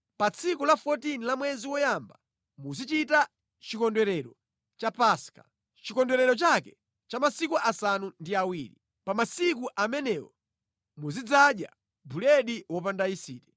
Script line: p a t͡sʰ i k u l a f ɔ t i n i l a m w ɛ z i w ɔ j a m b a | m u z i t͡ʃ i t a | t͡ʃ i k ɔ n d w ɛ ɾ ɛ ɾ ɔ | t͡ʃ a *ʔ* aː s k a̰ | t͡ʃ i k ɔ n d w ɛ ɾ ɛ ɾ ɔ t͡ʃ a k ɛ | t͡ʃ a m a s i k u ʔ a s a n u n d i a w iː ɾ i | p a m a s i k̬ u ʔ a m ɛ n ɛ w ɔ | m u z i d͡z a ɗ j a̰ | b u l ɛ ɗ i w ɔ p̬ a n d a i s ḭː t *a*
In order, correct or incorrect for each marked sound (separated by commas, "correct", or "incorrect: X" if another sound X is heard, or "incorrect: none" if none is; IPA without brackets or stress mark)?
incorrect: p, incorrect: ɛ